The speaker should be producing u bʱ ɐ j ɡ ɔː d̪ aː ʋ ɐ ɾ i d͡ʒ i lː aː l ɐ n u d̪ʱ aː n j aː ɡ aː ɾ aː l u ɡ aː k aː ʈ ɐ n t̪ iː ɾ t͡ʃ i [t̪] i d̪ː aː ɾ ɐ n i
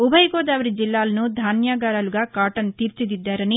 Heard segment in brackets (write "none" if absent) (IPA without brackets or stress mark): d̪